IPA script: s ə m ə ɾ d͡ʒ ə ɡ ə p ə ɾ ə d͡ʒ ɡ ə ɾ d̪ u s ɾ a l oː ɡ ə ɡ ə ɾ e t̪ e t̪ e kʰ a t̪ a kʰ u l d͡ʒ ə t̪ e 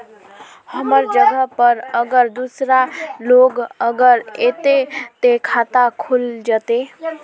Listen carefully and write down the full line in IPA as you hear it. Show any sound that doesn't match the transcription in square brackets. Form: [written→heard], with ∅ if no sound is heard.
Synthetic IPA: [s→h] ə m ə ɾ d͡ʒ ə ɡ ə p ə ɾ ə [d͡ʒ→∅] ɡ ə ɾ d̪ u s ɾ a l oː ɡ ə ɡ ə ɾ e t̪ e t̪ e kʰ a t̪ a kʰ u l d͡ʒ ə t̪ e